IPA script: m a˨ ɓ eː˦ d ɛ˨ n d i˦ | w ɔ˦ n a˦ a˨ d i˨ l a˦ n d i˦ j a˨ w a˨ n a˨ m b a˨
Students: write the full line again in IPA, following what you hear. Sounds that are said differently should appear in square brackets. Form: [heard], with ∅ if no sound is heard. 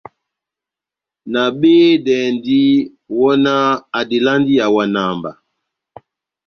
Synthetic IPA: [n] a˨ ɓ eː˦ d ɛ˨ n d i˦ | w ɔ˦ n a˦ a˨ d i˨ l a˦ n d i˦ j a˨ w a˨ n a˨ m b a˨